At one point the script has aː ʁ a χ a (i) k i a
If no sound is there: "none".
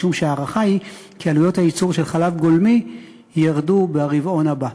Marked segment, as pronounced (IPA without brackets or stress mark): i